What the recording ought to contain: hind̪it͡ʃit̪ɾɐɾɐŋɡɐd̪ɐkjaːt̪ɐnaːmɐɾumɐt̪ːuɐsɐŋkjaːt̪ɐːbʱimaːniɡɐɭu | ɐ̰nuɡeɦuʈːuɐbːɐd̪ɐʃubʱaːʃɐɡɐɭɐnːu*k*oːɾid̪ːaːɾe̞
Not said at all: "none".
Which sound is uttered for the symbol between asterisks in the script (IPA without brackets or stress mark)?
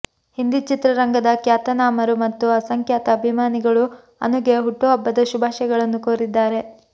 k